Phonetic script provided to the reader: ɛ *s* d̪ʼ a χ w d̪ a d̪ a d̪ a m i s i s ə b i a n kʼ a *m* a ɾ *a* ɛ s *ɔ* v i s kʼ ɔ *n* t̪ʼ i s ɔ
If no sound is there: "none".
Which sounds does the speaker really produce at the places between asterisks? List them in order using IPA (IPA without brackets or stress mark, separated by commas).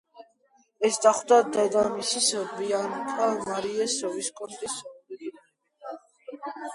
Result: s, m, i, ɔ, n